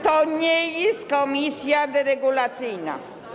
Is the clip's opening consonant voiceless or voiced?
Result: voiceless